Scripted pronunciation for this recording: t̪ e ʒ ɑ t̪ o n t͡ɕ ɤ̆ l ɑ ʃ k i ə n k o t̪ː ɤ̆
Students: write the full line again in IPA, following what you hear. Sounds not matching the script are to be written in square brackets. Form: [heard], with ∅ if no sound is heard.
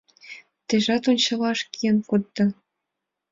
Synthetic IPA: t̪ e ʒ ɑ t̪ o n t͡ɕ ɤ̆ l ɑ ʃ k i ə n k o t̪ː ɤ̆